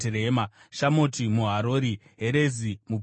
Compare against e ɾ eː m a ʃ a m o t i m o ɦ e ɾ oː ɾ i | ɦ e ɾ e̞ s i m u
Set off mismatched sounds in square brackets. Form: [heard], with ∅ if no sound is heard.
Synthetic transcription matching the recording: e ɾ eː m a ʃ a m o t i m [u] ɦ [a] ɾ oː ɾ i | ɦ e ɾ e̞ [z] i m u